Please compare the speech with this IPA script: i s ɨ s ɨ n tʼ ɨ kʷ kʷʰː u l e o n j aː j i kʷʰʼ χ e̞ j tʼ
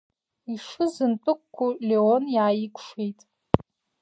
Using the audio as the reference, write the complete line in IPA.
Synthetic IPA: i ʂ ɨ z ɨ n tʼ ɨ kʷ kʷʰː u l e o n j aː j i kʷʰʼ ʂ e̞ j tʼ

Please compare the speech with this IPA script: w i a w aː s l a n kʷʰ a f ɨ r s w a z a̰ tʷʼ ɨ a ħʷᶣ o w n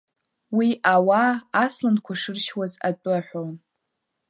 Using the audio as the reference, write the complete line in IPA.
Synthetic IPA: w i a w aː s l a n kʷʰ a ʂ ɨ r ʃ w a z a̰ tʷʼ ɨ a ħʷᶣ o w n

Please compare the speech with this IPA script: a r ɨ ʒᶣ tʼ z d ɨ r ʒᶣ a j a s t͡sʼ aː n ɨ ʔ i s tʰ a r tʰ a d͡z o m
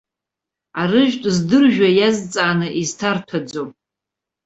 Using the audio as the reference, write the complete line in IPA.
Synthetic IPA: a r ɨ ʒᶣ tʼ z d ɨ r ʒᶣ a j a z t͡sʼ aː n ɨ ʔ i z tʰ a r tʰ a d͡z o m

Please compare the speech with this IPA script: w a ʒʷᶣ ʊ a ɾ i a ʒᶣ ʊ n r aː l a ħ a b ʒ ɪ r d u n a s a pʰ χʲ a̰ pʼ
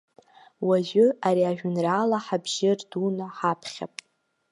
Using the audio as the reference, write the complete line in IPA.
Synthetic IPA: w a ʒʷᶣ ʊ a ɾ i a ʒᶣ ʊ n r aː l a ħ a b ʒ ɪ r d u n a ħ a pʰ χʲ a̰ pʼ

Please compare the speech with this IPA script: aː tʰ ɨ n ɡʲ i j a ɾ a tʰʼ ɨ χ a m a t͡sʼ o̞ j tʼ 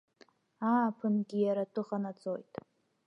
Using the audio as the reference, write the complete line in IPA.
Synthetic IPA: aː pʰ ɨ n ɡʲ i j a ɾ a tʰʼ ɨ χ a n a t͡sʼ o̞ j tʼ

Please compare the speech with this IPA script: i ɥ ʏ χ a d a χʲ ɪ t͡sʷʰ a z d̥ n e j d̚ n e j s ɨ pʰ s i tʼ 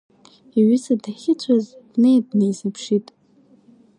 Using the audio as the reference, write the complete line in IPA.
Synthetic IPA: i ɥ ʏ s a d a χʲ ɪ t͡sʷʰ a z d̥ n e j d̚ n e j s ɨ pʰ ʂ i tʼ

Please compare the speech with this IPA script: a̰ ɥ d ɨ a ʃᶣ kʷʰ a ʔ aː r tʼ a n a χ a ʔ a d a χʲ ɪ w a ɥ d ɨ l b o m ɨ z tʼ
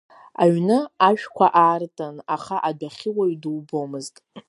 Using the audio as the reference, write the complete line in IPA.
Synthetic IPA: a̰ ɥ n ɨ a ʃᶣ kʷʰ a ʔ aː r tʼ a n a χ a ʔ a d a χʲ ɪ w a ɥ d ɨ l b o m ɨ z tʼ

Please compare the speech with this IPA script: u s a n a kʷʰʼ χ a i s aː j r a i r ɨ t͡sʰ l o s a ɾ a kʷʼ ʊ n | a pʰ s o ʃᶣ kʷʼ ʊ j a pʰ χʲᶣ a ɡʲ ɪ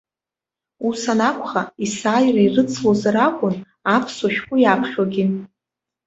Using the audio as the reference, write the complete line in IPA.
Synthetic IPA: u s a n a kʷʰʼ χ a i s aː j r a i r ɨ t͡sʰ l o z a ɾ a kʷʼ ʊ n | a pʰ s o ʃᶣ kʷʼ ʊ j a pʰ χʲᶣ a ɡʲ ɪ

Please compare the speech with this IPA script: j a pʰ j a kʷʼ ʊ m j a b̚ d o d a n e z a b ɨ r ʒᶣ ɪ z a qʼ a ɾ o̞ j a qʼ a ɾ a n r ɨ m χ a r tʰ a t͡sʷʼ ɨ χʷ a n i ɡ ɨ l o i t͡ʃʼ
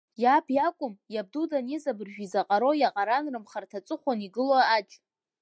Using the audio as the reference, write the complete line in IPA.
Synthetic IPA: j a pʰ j a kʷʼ ʊ m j a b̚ d u d a n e z a b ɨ r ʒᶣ i z a qʼ a ɾ o̞ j a qʼ a ɾ a n r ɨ m χ a r tʰ a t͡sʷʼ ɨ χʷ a n i ɡ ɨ l o a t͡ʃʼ

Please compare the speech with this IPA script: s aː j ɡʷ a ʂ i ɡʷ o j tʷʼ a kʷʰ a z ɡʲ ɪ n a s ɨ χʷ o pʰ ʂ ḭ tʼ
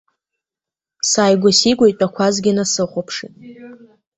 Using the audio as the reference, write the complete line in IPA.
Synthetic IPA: s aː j ɡʷ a s i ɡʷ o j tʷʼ a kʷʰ a z ɡʲ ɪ n a s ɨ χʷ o pʰ ʂ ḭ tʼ

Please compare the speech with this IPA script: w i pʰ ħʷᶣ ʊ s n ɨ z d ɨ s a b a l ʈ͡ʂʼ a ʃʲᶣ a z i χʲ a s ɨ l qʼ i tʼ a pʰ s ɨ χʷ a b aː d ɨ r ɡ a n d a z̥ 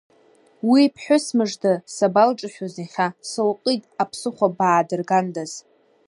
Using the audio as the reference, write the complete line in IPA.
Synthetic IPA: w i pʰ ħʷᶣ ʊ s m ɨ ʐ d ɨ s a b a l ʈ͡ʂʼ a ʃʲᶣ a z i χʲ a s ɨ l qʼ i tʼ a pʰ s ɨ χʷ a b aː d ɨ r ɡ a n d a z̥

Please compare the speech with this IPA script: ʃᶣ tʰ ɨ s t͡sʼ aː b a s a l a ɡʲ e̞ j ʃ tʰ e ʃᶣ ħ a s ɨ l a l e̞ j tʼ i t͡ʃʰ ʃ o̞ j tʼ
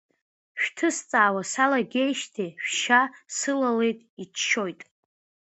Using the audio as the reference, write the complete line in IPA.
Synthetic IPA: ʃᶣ tʰ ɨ s t͡sʼ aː w a s a l a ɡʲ e̞ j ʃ tʰ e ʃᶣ ʃ a s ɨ l a l e̞ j tʼ i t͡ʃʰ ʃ o̞ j tʼ

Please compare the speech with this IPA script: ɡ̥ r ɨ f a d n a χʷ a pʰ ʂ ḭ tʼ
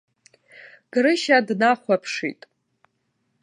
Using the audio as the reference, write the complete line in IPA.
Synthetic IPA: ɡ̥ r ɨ ʃ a d n a χʷ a pʰ ʂ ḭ tʼ

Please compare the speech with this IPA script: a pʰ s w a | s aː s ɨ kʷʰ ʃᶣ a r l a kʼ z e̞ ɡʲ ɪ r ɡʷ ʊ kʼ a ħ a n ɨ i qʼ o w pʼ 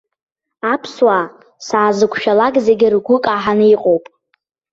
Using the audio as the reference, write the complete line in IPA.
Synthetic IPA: a pʰ s w a | s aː z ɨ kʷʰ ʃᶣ a l a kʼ z e̞ ɡʲ ɪ r ɡʷ ʊ kʼ a ħ a n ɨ i qʼ o w pʼ

